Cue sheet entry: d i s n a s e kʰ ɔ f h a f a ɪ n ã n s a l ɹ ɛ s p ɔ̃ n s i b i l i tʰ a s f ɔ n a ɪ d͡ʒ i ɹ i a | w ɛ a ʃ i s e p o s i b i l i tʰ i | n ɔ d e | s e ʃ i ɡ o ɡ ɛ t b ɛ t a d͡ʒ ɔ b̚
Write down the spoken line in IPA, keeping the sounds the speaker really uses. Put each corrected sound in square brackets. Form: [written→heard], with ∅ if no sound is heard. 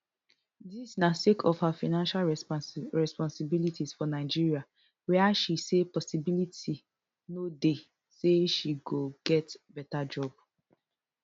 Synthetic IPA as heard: d i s n a s e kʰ ɔ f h a f a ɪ n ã n [s→ʃ] a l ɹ ɛ s p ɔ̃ n s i b i l i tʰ [a→i] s f ɔ n a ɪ d͡ʒ i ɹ i a | w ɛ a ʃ i s e p [o→ɔ] s i b i l i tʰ i | n [ɔ→o] d e | s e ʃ i ɡ o ɡ ɛ t b ɛ t a d͡ʒ ɔ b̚